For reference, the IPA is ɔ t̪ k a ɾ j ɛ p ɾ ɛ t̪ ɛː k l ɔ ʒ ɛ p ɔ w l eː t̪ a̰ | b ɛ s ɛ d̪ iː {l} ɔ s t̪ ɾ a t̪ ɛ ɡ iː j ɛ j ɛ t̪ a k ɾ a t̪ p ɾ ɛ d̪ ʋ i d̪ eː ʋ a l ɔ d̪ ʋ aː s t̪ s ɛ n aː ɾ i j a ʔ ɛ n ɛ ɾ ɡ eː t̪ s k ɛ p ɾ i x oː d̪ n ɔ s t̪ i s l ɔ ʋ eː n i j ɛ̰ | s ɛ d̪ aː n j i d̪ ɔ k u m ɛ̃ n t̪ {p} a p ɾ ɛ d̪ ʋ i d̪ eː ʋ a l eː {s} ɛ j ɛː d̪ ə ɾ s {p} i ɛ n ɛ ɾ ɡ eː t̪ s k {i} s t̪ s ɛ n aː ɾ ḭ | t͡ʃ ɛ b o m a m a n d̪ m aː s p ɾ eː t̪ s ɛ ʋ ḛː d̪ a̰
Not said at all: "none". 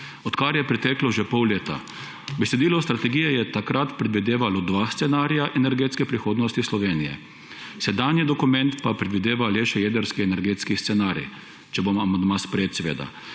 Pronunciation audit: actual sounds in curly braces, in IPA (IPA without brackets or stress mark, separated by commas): l, p, ʃ, k, i